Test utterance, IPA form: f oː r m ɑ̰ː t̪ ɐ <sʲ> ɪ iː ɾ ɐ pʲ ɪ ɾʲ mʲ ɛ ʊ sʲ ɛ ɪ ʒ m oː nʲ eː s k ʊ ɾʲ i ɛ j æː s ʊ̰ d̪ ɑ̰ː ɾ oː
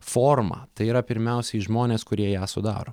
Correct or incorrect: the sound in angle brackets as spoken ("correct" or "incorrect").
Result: incorrect